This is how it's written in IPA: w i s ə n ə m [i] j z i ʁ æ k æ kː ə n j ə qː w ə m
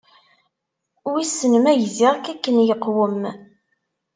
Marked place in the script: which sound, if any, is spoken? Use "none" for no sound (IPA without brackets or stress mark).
æ